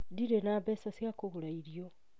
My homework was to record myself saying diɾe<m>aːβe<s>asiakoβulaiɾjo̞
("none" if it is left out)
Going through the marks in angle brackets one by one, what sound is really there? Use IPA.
n, s

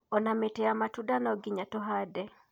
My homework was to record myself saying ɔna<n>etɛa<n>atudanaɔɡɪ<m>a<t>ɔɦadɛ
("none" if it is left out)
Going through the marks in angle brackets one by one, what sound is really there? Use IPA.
m, m, ɲ, t

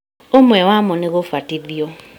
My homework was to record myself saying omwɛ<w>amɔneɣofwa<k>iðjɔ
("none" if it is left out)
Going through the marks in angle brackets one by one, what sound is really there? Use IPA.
w, t

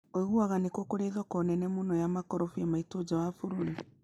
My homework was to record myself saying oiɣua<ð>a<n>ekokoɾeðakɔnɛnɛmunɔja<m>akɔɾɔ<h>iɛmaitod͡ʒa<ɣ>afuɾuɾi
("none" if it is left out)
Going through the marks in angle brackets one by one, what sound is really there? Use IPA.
ɣ, n, m, f, w

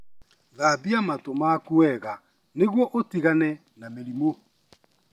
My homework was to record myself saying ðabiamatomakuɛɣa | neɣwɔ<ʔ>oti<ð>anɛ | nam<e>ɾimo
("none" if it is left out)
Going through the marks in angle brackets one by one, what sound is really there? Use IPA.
ʔ, ɣ, e

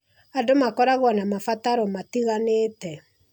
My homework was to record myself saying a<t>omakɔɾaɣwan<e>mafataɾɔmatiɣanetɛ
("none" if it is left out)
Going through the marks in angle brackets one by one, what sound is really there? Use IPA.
d, a

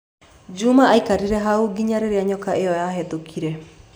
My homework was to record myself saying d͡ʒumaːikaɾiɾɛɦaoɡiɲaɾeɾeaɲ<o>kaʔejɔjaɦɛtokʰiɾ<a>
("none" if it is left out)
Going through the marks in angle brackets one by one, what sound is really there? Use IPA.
ɔ, ɛ

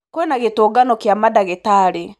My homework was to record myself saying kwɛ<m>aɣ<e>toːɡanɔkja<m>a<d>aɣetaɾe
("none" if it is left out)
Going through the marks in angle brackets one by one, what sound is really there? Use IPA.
n, e, m, d

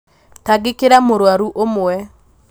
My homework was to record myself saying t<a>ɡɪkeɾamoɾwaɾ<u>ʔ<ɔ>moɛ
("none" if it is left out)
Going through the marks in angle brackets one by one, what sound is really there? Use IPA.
a, u, o

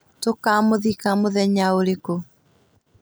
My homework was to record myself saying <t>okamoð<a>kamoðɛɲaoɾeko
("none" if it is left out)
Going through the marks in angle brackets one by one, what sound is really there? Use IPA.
t, i

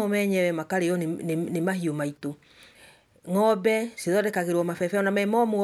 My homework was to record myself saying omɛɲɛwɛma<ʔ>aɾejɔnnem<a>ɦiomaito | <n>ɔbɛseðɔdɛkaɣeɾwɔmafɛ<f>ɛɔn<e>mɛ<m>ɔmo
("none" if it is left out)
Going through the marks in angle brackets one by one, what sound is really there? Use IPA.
k, a, ŋ, f, a, m

